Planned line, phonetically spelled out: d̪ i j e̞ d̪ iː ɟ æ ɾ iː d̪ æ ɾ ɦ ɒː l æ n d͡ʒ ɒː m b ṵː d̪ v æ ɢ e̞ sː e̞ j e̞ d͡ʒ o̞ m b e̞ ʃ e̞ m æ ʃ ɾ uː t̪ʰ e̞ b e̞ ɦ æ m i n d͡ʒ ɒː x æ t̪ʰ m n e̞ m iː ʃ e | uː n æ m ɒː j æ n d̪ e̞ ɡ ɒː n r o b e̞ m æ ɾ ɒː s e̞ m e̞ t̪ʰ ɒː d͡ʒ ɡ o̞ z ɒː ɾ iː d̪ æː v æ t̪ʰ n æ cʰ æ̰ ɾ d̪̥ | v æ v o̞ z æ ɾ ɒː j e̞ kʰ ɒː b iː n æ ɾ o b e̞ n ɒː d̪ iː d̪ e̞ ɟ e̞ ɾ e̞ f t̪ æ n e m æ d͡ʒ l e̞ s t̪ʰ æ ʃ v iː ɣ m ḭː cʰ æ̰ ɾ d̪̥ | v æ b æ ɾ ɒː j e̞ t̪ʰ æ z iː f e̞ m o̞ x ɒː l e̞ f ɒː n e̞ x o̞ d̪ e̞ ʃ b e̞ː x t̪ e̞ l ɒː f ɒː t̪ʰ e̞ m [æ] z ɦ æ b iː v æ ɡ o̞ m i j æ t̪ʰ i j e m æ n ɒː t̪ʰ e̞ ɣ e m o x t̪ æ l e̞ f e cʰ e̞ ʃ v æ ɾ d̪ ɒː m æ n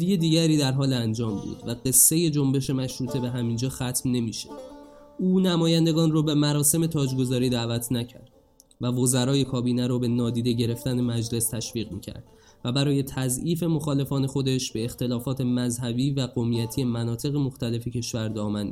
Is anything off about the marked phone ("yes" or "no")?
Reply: no